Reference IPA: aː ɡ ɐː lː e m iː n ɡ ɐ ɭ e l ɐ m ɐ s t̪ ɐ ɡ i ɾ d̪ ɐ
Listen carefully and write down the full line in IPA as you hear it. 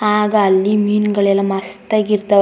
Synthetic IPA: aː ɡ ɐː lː i m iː n ɡ ɐ ɭ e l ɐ m ɐ s t̪ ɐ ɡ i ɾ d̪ ɐ

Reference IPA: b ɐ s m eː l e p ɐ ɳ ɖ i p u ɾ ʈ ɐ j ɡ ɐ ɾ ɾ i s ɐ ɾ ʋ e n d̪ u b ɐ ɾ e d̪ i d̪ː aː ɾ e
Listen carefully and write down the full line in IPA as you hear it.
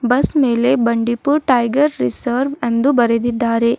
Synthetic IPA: b ɐ s m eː l e b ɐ ɳ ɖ i p u ɾ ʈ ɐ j ɡ ɐ ɾ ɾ i s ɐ ɾ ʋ e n d̪ u b ɐ ɾ e d̪ i d̪ː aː ɾ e

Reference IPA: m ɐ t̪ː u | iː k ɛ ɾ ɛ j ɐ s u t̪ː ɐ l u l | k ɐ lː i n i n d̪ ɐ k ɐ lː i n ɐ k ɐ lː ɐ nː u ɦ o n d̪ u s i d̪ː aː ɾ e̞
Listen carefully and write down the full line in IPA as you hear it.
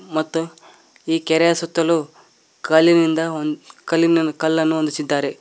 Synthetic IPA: m ɐ t̪ː u | iː k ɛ ɾ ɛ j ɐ s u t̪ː ɐ l u | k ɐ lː i n i n d̪ ɐ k ɐ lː i n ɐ k ɐ lː ɐ nː u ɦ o n d̪ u s i d̪ː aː ɾ e̞

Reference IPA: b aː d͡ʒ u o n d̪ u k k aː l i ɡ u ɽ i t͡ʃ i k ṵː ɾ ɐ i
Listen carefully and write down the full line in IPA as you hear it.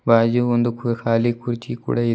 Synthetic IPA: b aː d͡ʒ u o n d̪ u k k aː l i k u ɾ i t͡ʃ i k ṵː ɽ ɐ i

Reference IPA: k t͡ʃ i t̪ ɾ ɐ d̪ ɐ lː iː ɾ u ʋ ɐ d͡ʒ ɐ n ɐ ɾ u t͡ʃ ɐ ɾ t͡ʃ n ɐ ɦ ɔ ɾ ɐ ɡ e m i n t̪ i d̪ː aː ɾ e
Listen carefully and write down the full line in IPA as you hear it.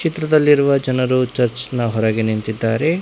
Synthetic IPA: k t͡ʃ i t̪ ɾ ɐ d̪ ɐ lː i ɾ u ʋ ɐ d͡ʒ ɐ n ɐ ɾ u t͡ʃ ɐ ɾ t͡ʃ n ɐ ɦ ɔ ɾ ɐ ɡ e n i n t̪ i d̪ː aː ɾ e

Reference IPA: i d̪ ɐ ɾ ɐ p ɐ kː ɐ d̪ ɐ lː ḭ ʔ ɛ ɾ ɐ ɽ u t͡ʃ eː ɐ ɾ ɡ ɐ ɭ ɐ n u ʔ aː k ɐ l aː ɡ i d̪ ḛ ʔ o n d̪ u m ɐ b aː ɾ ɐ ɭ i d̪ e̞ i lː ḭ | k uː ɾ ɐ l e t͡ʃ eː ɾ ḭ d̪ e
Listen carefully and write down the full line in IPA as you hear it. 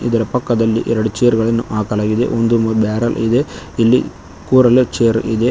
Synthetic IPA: i d̪ ɐ ɾ ɐ p ɐ kː ɐ d̪ ɐ lː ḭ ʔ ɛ ɾ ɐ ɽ u t͡ʃ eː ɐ ɾ ɡ ɐ ɭ ɐ nː u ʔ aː k ɐ l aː ɡ i d̪ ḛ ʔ o n d̪ u m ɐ b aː ɾ ɐ l i d̪ e̞ i lː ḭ | k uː ɾ ɐ l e t͡ʃ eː ɾ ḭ d̪ e

